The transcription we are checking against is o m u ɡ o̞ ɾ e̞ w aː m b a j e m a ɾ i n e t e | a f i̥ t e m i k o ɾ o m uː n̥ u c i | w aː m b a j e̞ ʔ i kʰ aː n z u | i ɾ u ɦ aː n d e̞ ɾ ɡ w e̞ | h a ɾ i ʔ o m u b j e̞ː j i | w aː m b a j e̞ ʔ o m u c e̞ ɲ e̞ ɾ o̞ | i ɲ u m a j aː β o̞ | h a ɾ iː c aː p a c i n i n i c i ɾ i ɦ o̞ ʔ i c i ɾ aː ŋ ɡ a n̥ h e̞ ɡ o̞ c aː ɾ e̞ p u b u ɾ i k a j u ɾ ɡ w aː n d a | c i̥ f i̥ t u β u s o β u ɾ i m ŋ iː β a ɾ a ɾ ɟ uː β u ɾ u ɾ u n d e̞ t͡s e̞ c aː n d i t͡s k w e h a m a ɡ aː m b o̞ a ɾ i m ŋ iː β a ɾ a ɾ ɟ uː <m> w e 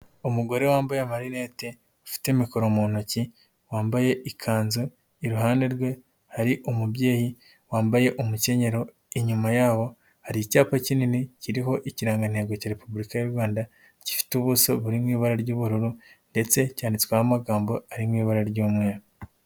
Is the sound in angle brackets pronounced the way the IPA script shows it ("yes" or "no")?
yes